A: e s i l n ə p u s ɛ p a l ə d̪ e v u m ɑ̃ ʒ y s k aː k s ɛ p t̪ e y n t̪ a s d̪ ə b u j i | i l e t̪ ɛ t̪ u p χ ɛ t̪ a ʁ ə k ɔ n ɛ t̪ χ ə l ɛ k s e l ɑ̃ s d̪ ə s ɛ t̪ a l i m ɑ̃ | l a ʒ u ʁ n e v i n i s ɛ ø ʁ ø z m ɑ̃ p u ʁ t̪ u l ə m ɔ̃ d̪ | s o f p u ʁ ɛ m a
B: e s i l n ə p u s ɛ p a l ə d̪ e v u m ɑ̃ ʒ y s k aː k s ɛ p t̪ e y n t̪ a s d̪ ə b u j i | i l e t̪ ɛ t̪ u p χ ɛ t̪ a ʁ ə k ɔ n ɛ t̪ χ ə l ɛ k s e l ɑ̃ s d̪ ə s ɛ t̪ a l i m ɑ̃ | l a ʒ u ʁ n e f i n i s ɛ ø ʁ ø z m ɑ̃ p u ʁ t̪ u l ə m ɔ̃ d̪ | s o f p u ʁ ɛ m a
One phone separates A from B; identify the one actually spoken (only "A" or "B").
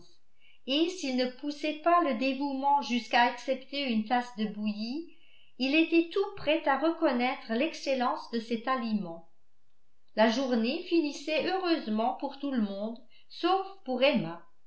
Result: B